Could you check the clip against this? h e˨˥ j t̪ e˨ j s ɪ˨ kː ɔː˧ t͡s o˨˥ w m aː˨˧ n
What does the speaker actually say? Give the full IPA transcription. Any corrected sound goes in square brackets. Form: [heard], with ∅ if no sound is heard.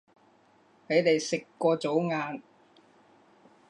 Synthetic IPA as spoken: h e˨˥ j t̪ e˨ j s ɪ˨ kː ɔː˧ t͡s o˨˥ w [ŋ] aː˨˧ n